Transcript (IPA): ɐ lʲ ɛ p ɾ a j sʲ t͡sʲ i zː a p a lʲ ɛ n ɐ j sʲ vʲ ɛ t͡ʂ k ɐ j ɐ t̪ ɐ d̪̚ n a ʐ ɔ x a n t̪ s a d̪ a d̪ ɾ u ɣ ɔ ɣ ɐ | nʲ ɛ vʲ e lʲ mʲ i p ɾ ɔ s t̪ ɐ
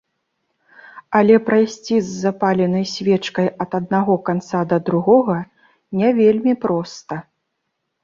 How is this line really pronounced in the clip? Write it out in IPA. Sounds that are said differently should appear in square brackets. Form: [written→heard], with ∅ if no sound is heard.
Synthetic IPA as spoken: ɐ lʲ ɛ p ɾ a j sʲ t͡sʲ i zː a p a lʲ ɛ n ɐ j sʲ vʲ ɛ t͡ʂ k ɐ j ɐ t̪ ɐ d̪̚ n a [ʐ→ɣ] ɔ [x→k] a n t̪ s a d̪ [a→ɐ] d̪ ɾ u ɣ ɔ ɣ ɐ | nʲ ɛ vʲ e lʲ mʲ i p ɾ ɔ s t̪ ɐ